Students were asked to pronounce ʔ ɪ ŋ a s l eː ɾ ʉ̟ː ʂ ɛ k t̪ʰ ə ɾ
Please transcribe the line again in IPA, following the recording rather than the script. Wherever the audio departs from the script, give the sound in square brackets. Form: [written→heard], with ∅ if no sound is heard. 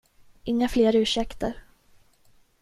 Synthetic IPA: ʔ ɪ [ŋ→ŋː] a [s→f] l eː ɾ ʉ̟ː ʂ ɛ k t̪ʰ ə ɾ